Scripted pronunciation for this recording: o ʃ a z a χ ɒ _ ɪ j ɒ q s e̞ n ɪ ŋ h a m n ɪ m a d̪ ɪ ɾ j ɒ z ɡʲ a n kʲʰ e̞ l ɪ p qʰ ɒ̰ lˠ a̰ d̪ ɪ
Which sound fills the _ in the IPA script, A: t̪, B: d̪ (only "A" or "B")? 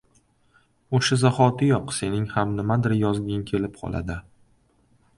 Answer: A